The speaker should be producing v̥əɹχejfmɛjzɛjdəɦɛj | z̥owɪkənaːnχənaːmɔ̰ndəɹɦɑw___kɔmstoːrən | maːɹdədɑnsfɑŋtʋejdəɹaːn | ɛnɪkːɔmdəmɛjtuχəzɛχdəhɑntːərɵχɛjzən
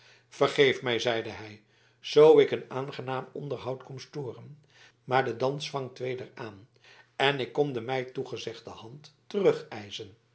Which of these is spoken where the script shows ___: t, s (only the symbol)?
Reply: t